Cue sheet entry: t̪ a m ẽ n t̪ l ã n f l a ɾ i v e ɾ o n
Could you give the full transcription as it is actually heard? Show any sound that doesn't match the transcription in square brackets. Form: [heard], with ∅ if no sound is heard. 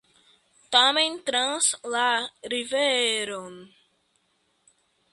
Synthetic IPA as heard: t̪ a m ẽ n t̪ [ɾ] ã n [s] l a ɾ i v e ɾ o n